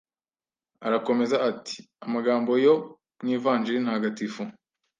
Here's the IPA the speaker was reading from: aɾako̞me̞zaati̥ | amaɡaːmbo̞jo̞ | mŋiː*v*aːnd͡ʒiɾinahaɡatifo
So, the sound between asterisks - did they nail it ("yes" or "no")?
yes